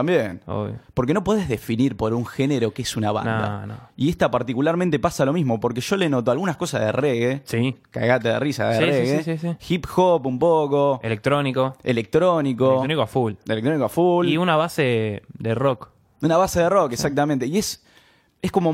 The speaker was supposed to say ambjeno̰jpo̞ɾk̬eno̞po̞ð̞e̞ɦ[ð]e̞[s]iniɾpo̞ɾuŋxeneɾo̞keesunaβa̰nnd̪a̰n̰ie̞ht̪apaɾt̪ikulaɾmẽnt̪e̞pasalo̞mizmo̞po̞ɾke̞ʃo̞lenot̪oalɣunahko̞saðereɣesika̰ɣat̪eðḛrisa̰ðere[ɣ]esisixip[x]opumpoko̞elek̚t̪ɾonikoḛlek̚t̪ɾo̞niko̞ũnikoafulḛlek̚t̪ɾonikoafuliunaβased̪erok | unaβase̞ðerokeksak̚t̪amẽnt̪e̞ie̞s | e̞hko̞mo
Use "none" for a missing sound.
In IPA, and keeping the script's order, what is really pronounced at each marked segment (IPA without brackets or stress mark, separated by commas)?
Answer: ð, f, ɣ, x